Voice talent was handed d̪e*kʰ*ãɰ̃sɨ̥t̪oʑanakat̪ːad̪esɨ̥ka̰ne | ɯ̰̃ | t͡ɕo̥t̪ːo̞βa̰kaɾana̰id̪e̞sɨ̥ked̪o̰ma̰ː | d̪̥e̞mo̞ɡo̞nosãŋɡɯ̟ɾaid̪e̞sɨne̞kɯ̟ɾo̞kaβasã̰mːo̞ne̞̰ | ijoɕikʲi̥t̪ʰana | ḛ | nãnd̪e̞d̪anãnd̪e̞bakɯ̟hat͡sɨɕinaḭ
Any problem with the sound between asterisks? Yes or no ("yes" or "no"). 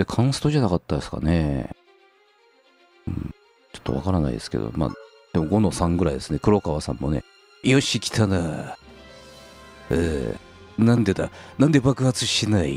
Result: no